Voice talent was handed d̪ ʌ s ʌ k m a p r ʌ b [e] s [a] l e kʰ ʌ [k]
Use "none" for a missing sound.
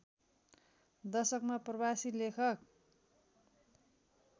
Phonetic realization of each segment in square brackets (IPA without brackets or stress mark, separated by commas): a, i, k